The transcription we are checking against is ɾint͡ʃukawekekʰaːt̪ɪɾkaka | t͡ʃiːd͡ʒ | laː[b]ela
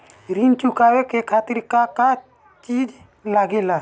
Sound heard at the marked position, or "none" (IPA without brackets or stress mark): ɡ